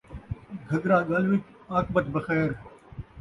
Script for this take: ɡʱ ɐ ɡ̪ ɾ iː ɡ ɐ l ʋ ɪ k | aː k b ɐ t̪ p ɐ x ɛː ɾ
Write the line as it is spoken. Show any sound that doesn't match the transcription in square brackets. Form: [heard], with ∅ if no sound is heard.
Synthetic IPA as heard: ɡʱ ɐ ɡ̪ ɾ [aː] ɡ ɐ l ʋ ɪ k | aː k b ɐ t̪ [b] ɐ x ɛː ɾ